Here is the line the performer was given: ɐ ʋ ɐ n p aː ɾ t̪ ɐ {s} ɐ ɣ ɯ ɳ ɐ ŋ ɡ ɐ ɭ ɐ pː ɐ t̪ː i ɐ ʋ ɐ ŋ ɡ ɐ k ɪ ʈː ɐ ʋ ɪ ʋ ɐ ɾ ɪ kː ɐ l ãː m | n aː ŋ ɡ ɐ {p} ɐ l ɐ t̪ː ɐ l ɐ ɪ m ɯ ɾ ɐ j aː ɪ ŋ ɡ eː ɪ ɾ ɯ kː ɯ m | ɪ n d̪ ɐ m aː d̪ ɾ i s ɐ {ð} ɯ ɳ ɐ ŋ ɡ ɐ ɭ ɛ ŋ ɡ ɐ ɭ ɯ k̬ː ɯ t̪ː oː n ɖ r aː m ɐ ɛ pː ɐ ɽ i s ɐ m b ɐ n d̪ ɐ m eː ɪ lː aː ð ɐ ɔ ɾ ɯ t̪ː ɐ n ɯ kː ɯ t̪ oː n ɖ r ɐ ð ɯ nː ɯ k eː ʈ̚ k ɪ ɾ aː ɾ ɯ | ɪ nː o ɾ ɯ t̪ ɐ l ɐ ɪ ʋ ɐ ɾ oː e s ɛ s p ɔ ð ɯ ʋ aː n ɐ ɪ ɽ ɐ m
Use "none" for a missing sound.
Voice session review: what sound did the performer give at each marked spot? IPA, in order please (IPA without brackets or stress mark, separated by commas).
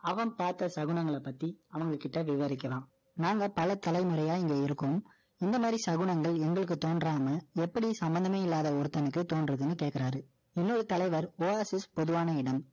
s, p, ɣ